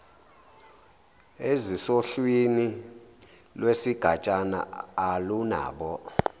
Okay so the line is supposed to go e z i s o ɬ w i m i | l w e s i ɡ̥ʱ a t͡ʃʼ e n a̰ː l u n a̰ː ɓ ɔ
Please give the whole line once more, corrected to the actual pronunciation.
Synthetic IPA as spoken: e z i s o ɬ w i n i | l w e s i ɡ̥ʱ a t͡ʃʼ a n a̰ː l u n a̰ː ɓ ɔ